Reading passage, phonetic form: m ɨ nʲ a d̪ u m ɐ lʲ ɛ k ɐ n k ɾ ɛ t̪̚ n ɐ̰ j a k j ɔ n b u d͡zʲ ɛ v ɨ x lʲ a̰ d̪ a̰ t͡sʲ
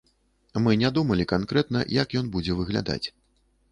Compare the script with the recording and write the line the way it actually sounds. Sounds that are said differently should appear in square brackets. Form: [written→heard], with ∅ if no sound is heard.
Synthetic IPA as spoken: m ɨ nʲ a d̪ u m ɐ lʲ [ɛ→i] k [ɐ→a] n k ɾ ɛ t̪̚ n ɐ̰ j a k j ɔ n b u d͡zʲ ɛ v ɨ [x→ɣ] lʲ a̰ d̪ a̰ t͡sʲ